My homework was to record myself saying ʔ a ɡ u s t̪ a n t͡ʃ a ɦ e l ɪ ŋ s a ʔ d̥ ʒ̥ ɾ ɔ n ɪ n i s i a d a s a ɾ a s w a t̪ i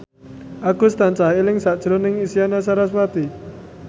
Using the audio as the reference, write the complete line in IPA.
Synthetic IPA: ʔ a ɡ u s t̪ a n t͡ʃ a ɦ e l ɪ ŋ s a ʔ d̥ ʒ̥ ɾ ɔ n ɪ ŋ i s i a n a s a ɾ a s w a t̪ i